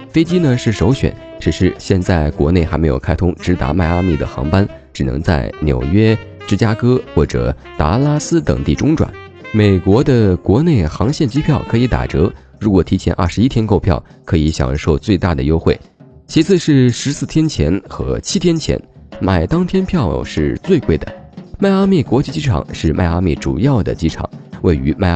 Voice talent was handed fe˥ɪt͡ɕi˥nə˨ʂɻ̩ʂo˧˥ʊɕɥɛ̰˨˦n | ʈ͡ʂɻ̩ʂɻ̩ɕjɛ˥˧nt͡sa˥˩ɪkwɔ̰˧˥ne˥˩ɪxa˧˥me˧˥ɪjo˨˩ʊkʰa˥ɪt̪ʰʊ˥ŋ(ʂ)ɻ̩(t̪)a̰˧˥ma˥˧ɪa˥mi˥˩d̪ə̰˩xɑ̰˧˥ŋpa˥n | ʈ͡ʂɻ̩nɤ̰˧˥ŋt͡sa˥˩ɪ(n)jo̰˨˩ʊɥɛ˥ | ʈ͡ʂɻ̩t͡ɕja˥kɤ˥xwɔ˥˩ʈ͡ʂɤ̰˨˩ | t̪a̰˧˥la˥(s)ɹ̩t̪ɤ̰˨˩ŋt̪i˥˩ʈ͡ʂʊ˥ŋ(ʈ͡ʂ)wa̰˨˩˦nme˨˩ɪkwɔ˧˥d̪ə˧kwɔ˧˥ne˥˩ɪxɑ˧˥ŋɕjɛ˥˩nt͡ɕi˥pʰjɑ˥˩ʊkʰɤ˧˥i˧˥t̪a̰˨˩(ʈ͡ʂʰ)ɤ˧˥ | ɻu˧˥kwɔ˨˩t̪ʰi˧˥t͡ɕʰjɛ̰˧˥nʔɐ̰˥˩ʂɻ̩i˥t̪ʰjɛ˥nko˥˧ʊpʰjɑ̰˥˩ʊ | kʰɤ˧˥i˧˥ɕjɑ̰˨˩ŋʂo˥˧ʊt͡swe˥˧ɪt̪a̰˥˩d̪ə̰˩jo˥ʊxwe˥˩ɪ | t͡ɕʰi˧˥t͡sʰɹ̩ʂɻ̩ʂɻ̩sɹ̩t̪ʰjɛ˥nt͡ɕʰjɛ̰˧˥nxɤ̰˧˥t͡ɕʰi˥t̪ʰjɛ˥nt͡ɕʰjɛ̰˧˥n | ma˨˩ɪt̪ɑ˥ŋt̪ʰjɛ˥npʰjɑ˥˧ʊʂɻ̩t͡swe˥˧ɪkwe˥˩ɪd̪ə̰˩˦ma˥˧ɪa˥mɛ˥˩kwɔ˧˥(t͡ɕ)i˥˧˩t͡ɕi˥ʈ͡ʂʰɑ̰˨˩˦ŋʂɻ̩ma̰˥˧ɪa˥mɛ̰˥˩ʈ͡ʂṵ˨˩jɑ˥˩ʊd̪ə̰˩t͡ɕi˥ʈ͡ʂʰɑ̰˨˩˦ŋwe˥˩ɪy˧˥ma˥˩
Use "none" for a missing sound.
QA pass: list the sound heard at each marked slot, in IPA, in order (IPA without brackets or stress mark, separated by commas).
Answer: ʈ͡ʂ, t̪, n, s, ʈ͡ʂ, ʈ͡ʂ, t͡ɕ